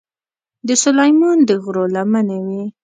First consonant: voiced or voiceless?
voiced